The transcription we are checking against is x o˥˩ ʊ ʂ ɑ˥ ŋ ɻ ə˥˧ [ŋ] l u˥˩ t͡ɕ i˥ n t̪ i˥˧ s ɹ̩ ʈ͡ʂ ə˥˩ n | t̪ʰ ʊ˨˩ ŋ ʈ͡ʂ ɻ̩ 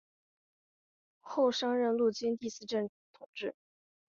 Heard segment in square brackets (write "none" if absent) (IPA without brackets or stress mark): n